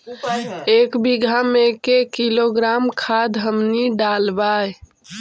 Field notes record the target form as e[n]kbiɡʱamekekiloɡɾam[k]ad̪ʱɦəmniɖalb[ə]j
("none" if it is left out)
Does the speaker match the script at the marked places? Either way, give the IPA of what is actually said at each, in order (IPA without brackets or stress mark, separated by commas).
none, kʰ, a